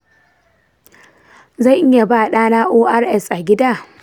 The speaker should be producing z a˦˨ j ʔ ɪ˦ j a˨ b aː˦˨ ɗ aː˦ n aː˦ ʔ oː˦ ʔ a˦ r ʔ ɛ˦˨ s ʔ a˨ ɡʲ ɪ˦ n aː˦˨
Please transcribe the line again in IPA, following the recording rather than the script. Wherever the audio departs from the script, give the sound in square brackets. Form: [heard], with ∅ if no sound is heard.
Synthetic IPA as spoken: z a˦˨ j ʔ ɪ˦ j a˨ b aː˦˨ ɗ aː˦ n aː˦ ʔ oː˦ ʔ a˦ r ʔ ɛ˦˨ s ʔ a˨ ɡʲ ɪ˦ [d] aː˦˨